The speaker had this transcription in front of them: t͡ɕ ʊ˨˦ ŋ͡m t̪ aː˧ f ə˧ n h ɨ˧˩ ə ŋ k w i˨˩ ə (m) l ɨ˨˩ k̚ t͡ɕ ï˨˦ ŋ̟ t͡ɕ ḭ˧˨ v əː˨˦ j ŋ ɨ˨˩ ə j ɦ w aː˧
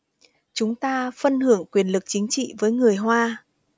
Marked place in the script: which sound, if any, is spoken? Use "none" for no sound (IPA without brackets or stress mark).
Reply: n